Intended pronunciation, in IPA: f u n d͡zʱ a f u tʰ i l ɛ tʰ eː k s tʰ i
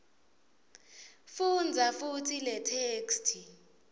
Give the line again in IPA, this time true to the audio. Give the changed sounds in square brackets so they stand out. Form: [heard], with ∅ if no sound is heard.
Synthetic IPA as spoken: f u n d͡zʱ a f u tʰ i l ɛ tʰ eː k s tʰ i